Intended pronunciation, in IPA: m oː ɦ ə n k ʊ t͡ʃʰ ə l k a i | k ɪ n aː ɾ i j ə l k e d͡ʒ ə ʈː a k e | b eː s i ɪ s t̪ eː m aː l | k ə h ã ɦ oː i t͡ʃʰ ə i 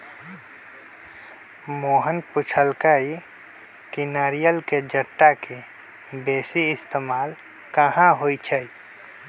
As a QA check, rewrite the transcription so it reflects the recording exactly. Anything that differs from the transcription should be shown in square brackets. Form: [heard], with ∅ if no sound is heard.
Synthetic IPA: m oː ɦ ə n [p] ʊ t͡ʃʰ ə l k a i | k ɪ n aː ɾ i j ə l k e d͡ʒ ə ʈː a k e | b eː s i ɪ s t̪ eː m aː l | k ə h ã ɦ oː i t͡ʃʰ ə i

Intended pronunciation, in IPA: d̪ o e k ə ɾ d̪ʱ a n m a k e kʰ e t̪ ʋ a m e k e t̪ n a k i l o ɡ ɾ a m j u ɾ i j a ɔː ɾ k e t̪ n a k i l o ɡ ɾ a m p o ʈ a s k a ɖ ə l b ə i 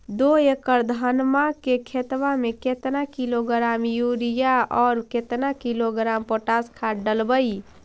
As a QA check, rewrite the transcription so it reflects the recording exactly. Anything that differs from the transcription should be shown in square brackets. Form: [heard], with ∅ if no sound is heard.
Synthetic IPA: d̪ o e k ə ɾ d̪ʱ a n m a k e kʰ e t̪ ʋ a m e k e t̪ n a k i l o ɡ ɾ a m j u ɾ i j a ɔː ɾ k e t̪ n a k i l o ɡ ɾ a m p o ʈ a s [kʰ] a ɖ ə l b ə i

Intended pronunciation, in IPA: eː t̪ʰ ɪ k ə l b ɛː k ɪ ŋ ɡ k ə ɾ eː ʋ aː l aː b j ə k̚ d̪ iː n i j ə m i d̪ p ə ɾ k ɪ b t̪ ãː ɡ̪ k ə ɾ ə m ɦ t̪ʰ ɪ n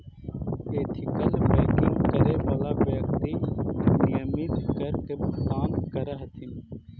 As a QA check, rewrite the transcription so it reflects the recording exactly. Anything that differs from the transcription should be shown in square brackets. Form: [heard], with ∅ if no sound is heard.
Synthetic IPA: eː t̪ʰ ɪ k ə l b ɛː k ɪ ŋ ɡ k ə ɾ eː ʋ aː l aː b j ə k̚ [t̪] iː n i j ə m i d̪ [k] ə ɾ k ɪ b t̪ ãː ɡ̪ k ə ɾ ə [∅] ɦ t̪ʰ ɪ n

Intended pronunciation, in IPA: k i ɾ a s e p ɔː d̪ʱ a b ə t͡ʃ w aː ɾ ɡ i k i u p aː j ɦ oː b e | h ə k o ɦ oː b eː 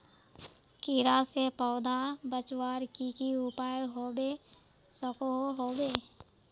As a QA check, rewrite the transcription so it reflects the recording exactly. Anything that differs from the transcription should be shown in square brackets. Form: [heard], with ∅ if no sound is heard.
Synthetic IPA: k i ɾ a s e p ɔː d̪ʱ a b ə t͡ʃ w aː ɾ [k] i k i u p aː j ɦ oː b e | [s] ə k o ɦ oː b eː

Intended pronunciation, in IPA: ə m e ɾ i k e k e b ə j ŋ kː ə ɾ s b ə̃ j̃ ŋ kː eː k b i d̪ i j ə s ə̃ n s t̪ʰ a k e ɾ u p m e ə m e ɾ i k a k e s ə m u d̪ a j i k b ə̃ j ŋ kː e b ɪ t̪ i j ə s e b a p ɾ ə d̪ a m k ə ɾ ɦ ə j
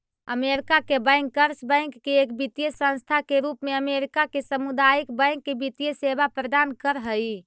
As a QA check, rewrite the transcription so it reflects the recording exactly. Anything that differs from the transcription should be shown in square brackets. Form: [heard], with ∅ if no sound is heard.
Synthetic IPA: ə m e ɾ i k [a] k e b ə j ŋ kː ə ɾ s b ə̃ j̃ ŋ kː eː k b i [t̪] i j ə s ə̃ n s t̪ʰ a k e ɾ u p m e ə m e ɾ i k a k e s ə m u d̪ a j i k b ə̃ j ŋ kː e b [i] t̪ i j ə s e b a p ɾ ə d̪ a [n] k ə ɾ ɦ ə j

